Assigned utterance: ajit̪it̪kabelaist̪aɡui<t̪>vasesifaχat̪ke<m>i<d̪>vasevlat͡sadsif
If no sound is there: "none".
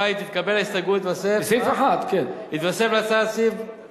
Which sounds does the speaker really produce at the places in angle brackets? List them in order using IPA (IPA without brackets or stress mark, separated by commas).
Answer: t̪, n, t̪